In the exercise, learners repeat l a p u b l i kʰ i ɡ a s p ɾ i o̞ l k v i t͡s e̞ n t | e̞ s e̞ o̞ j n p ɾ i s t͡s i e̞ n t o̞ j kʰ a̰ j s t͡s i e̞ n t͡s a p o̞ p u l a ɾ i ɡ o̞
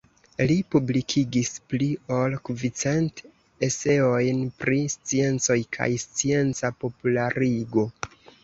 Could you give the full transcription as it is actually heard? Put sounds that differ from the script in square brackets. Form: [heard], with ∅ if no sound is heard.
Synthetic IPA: l [i] p u b l i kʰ i ɡ [i] s p [l] i o̞ l k v i t͡s e̞ n t | e̞ s e̞ o̞ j n p ɾ i s t͡s i e̞ n [t͡s] o̞ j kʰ a̰ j s t͡s i e̞ n t͡s a p o̞ p u l a ɾ i ɡ o̞